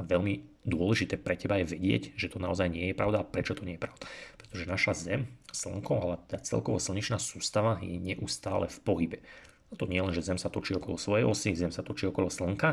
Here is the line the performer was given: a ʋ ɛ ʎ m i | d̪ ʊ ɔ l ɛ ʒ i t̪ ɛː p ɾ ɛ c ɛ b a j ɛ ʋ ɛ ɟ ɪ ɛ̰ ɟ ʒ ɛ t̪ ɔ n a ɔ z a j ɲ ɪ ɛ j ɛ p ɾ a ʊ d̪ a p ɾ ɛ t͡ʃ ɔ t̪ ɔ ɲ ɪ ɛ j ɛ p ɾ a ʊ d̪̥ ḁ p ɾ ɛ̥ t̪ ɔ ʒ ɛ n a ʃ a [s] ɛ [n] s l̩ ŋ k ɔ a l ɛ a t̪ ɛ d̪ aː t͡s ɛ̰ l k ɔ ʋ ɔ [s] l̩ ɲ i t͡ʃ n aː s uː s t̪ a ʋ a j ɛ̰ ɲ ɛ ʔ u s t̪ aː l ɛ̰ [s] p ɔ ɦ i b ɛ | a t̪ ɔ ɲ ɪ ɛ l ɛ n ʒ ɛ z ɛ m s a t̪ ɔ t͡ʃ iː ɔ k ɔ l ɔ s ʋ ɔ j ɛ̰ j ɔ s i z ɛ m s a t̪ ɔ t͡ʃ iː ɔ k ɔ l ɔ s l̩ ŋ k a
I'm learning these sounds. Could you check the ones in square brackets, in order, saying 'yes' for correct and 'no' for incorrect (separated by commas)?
no, no, yes, no